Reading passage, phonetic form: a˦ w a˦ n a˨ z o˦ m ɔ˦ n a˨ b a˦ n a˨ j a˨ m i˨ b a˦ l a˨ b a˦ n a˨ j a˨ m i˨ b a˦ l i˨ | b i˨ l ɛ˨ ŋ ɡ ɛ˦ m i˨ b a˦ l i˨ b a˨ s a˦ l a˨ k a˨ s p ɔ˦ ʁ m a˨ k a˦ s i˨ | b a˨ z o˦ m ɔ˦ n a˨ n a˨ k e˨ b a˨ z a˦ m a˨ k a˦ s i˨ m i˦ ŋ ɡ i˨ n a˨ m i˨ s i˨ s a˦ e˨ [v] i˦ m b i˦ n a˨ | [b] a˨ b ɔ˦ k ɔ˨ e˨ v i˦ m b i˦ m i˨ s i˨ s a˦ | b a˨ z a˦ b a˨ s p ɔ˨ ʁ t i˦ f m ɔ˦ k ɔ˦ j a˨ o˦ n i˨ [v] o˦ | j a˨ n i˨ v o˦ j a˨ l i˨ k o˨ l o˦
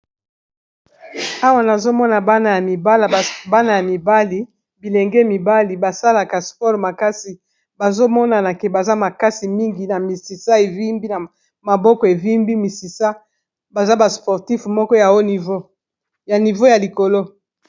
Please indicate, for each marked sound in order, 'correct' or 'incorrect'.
correct, incorrect: m, correct

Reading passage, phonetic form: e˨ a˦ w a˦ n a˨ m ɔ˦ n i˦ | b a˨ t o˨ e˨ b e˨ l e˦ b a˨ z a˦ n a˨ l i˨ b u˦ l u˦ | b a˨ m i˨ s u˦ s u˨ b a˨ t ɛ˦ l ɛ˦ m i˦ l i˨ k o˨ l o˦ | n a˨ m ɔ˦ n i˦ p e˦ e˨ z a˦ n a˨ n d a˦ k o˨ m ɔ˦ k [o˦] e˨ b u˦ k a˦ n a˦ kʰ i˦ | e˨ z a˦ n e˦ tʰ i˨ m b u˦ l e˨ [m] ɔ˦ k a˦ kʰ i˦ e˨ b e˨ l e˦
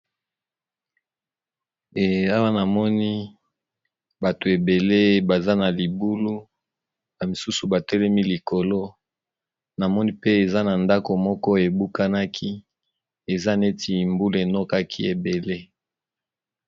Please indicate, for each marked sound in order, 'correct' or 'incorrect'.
incorrect: ɔ˦, incorrect: n

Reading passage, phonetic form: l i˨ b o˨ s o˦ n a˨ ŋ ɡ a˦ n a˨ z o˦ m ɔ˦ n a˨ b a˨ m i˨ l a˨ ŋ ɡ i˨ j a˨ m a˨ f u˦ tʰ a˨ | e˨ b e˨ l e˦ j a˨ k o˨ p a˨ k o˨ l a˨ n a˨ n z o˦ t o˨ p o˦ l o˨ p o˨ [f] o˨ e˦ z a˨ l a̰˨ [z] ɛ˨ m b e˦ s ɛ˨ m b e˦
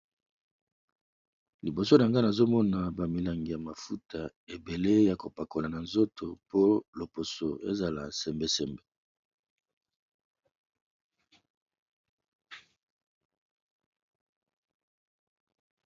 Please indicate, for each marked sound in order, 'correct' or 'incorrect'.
incorrect: s, incorrect: s

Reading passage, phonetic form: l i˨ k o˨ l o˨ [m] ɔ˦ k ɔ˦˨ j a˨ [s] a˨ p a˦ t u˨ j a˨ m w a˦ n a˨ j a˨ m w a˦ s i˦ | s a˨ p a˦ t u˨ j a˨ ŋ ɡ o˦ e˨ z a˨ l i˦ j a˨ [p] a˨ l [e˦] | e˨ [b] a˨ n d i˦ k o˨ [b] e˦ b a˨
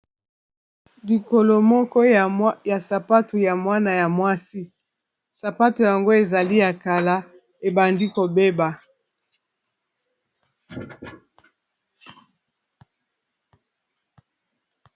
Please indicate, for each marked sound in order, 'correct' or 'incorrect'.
correct, correct, incorrect: k, incorrect: a˦, correct, correct

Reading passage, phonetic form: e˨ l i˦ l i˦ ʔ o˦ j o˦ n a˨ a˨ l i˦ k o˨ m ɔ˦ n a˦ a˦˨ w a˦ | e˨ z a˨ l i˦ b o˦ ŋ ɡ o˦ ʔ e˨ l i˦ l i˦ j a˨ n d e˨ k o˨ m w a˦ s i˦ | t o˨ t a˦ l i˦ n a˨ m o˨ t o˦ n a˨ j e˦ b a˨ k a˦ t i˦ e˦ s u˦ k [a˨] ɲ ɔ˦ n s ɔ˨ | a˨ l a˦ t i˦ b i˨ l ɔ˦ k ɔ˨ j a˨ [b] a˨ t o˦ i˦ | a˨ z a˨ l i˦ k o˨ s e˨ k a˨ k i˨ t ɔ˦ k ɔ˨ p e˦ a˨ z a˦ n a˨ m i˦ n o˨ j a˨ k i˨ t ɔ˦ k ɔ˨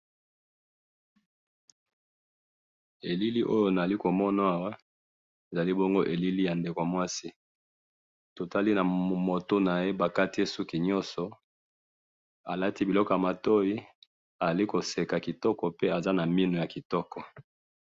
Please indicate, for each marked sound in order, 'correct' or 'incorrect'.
incorrect: i˨, incorrect: m

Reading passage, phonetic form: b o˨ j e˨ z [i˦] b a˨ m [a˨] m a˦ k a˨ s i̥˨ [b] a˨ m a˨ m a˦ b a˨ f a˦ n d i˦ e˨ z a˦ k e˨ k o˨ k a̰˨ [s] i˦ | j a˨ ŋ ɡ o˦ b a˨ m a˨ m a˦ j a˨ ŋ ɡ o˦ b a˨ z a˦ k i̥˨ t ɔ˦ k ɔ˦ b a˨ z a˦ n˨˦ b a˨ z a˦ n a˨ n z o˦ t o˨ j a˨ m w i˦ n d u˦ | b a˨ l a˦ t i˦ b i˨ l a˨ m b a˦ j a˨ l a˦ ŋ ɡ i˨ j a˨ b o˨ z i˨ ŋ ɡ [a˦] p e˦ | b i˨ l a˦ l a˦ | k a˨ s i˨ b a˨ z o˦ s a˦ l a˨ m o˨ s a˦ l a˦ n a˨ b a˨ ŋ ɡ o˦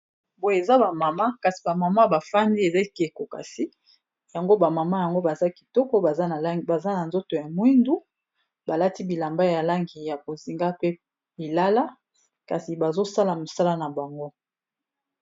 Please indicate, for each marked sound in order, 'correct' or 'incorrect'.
incorrect: a˦, correct, correct, correct, correct

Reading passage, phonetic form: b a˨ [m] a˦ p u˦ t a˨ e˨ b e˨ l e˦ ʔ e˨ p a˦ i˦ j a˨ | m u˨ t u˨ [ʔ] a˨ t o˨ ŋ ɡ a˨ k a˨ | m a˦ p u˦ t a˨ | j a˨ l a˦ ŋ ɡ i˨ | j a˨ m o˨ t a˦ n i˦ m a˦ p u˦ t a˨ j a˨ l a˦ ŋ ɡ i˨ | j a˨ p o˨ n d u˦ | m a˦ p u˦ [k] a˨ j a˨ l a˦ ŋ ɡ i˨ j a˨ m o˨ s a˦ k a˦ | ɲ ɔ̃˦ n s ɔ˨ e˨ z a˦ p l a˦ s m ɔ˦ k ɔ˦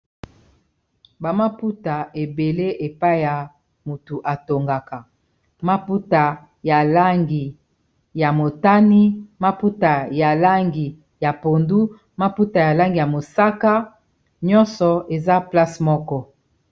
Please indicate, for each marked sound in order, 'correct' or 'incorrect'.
correct, correct, incorrect: t

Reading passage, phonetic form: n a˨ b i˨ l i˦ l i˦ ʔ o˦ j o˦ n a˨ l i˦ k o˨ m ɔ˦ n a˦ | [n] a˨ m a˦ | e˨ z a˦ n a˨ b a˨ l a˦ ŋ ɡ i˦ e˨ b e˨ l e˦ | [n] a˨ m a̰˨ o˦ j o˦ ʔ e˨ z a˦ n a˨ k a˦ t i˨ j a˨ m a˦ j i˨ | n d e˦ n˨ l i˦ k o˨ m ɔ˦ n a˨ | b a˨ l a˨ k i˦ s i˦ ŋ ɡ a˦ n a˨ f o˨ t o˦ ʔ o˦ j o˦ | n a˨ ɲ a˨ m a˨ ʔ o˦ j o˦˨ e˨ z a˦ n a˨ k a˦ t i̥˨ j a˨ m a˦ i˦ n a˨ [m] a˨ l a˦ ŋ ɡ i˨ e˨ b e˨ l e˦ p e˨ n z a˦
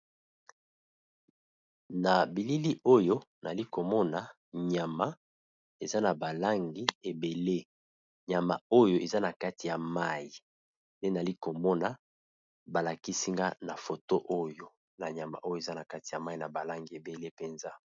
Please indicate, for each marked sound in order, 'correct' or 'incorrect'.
incorrect: ɲ, incorrect: ɲ, incorrect: b

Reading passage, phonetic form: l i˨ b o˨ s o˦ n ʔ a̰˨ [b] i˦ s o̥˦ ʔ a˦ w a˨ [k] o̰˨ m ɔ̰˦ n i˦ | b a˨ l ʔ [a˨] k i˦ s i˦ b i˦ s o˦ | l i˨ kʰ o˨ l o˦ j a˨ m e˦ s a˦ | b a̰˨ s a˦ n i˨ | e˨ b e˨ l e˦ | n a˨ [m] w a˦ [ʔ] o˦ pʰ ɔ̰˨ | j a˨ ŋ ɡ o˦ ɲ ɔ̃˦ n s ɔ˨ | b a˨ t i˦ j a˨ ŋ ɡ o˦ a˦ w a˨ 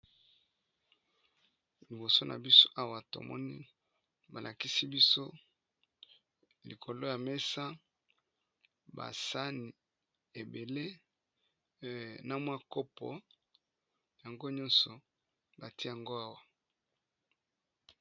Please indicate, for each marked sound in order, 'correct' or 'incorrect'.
correct, incorrect: t, correct, correct, incorrect: k

